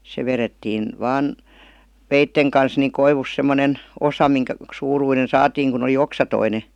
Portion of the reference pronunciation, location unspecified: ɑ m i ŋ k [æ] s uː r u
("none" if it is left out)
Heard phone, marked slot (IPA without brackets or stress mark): æ